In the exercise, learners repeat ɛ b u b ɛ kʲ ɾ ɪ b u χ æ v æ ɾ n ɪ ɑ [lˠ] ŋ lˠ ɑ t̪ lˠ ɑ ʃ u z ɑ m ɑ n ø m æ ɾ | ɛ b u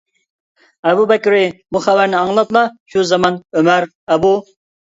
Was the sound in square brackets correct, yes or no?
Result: no